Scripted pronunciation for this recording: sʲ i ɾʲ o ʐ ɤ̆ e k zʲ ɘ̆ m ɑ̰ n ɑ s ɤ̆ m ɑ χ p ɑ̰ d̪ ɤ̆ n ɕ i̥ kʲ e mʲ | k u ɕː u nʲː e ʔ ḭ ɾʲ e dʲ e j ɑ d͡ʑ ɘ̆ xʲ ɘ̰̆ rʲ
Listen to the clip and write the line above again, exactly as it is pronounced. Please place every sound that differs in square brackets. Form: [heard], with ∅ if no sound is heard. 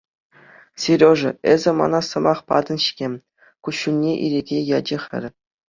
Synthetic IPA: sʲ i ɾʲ o ʐ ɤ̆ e [∅] zʲ ɘ̆ m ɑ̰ n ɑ s ɤ̆ m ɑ χ p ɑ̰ d̪ ɤ̆ n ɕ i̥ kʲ e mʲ | k u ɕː u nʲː e ʔ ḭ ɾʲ e [ɡʲ] e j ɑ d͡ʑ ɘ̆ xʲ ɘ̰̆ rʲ